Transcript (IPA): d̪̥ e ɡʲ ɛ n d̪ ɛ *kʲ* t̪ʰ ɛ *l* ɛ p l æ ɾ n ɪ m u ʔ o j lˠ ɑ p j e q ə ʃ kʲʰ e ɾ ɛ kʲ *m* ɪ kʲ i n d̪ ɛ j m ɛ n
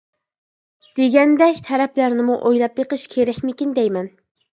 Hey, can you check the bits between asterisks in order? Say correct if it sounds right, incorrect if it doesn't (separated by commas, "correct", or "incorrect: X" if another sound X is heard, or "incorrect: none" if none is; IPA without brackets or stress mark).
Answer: correct, incorrect: ɾ, correct